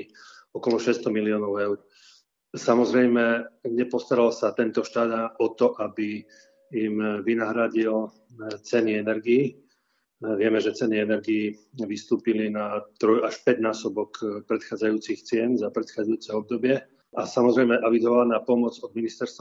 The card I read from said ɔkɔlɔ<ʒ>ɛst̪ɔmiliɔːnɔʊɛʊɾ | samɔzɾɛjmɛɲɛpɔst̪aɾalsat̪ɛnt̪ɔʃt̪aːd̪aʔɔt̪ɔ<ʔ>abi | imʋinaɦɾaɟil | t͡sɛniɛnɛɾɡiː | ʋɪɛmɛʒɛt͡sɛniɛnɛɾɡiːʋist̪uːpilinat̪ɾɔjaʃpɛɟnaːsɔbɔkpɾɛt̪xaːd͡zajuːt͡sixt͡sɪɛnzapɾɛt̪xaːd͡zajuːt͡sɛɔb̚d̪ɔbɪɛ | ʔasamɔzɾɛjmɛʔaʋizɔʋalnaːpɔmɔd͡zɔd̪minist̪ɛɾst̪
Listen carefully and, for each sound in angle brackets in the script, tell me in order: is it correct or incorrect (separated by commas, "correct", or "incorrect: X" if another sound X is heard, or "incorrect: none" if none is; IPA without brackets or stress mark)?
incorrect: ʃ, correct